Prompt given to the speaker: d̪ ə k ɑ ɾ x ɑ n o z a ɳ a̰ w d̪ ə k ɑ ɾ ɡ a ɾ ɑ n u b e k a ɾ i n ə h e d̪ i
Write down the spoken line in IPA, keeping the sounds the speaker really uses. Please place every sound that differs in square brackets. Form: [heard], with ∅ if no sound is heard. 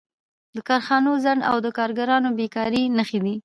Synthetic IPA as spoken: d̪ ə k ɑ ɾ x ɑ n o z a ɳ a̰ w d̪ ə k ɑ ɾ ɡ a ɾ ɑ n [o] b e k [ɑ] ɾ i n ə [x] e d̪ i